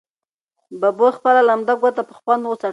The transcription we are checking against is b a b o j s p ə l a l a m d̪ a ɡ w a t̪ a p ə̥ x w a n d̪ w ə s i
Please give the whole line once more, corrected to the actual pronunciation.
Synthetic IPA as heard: b a b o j x p ə l a l a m d̪ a ɡ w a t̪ a p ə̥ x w a n d̪ w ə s a